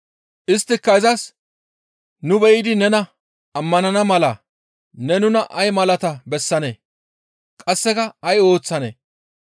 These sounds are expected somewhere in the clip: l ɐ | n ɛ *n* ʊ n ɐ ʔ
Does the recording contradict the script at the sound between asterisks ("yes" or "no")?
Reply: no